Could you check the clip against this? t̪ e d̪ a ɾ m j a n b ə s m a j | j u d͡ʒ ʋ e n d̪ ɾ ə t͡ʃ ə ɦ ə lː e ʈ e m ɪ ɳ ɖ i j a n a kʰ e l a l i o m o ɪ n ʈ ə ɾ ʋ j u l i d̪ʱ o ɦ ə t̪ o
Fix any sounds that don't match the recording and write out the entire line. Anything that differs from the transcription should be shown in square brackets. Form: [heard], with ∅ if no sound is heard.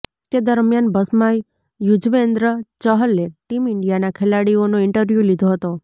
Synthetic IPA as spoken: t̪ e d̪ [ə] ɾ m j a n b ə s m a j | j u d͡ʒ ʋ e n d̪ ɾ ə t͡ʃ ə ɦ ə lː e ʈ [i] m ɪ ɳ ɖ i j a n a kʰ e l a [ɽ] i o [n] o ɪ [ɳ] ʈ ə ɾ ʋ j u l i d̪ʱ o ɦ ə t̪ o